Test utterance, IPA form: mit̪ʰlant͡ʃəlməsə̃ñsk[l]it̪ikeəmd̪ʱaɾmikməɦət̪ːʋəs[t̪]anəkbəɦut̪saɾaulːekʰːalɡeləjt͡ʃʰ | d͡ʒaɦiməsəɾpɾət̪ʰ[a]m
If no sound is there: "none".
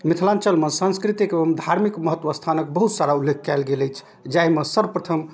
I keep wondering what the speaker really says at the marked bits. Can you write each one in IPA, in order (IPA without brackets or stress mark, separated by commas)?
ɾ, t̪ʰ, ə